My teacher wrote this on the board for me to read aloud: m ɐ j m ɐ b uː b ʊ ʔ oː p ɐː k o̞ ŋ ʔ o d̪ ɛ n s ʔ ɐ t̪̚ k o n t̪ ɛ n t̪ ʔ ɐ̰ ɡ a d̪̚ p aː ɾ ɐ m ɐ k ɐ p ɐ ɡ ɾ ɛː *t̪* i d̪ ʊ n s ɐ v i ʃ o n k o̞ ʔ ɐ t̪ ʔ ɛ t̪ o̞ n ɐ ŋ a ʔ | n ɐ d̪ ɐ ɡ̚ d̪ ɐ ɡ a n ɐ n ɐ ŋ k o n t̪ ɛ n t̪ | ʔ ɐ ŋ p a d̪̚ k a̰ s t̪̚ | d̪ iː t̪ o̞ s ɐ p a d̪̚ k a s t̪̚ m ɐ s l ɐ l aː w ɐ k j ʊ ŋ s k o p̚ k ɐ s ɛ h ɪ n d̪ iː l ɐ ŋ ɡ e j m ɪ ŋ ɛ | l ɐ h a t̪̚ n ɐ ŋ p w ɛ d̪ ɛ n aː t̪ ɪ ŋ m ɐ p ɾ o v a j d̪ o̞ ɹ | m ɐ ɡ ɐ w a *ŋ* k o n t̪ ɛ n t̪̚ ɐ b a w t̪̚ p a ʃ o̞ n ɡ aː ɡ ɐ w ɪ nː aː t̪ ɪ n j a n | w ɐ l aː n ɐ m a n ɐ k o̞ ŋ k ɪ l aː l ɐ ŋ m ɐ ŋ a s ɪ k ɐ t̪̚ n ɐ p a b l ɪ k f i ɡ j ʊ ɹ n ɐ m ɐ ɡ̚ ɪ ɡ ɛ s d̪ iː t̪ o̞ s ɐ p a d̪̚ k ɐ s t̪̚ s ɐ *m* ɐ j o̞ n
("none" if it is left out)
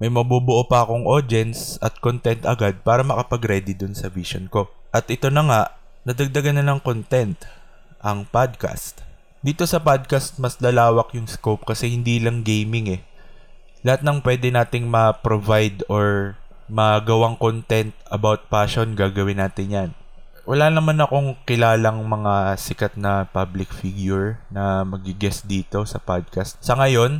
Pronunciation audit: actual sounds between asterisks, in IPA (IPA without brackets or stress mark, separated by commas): d̪, ŋ, ŋ